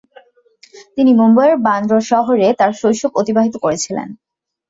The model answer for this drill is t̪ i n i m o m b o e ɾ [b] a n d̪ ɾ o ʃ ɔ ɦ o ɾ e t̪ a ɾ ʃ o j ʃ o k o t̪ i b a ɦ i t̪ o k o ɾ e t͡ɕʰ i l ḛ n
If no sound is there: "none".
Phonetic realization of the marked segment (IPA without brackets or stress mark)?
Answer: b